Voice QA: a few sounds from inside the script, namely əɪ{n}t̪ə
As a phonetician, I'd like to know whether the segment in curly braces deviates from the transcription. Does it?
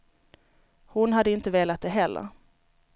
no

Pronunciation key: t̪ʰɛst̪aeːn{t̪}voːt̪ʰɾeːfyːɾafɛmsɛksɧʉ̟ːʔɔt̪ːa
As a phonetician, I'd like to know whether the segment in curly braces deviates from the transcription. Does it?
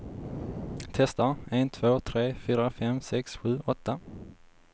yes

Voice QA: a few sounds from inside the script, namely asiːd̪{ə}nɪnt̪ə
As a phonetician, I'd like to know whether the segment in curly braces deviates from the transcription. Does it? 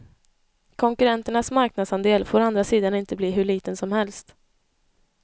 yes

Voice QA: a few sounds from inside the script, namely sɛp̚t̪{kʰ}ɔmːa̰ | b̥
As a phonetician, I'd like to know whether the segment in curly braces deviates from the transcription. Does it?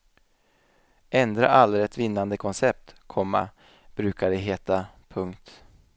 no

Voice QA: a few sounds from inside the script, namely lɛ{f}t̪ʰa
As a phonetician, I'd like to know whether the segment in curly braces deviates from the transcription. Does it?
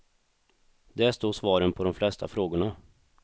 yes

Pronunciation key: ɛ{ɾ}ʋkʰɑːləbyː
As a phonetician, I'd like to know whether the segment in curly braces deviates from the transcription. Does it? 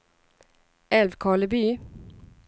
yes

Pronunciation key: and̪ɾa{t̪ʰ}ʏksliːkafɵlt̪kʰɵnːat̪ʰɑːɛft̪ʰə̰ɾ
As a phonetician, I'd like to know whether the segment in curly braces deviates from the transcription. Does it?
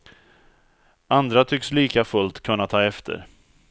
no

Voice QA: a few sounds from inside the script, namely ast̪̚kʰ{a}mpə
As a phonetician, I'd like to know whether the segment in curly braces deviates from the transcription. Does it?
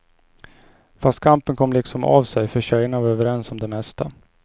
no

